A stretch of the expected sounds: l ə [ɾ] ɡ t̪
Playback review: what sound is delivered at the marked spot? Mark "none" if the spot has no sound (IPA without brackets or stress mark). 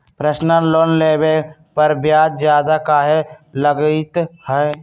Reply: none